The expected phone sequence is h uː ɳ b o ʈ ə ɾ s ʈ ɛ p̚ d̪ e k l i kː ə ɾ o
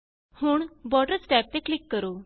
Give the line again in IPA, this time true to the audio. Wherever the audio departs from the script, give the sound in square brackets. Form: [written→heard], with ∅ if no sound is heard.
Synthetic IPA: h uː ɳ b [o→ɔ] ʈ ə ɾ s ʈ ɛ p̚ [d̪→t̪] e k l i kː ə ɾ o